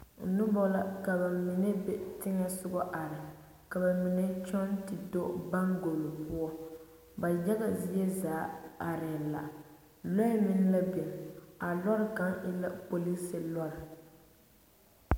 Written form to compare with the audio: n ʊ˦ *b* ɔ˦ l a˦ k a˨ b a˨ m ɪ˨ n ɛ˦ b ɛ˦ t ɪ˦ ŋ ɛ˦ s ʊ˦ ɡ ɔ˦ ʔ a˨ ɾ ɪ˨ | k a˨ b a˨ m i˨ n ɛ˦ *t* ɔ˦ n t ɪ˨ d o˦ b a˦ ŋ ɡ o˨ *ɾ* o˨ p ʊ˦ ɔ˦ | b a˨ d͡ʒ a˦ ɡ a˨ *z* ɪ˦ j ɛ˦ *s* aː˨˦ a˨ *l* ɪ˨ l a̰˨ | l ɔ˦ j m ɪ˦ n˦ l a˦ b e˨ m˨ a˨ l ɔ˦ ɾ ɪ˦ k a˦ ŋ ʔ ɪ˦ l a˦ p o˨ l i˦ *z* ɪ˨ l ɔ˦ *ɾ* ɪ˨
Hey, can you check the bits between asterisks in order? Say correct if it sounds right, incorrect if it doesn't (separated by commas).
correct, incorrect, incorrect, correct, incorrect, incorrect, incorrect, correct